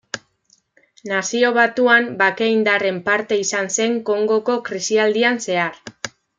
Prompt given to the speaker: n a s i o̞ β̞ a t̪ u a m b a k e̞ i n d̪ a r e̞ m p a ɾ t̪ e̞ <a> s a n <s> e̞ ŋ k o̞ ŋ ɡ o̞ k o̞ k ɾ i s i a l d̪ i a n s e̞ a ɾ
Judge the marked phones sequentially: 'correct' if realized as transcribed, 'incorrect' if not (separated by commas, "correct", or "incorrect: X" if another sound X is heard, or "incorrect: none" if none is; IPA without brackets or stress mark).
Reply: incorrect: i, correct